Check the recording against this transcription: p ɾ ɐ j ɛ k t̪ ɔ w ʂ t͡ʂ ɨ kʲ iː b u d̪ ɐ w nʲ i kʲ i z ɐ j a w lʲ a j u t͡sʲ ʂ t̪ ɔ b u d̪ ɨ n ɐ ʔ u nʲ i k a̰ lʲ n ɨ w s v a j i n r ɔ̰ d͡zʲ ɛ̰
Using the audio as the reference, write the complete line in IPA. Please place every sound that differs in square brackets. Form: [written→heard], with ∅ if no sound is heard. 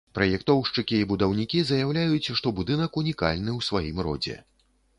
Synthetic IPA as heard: p ɾ ɐ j ɛ k t̪ ɔ w ʂ t͡ʂ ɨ kʲ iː b u d̪ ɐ w nʲ i kʲ i z ɐ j a w lʲ a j u t͡sʲ ʂ t̪ ɔ b u d̪ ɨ n ɐ [ʔ→k] u nʲ i k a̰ lʲ n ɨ w s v a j i [n→m] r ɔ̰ d͡zʲ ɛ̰